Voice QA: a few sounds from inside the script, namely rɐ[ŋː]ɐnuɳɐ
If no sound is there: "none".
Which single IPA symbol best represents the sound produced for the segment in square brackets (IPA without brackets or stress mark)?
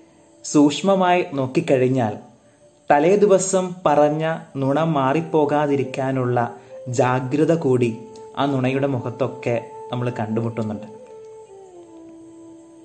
ɲː